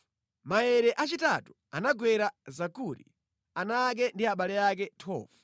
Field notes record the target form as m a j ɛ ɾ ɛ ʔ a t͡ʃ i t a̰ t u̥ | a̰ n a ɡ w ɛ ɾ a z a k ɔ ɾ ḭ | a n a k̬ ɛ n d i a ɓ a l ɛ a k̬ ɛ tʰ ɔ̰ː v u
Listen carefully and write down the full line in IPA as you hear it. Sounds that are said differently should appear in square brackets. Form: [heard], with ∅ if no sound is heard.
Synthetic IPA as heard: m a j ɛ ɾ ɛ ʔ a t͡ʃ i t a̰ t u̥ | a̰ n a ɡ w ɛ ɾ a z a k [u] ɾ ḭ | a n a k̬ ɛ n d i a ɓ a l ɛ a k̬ ɛ tʰ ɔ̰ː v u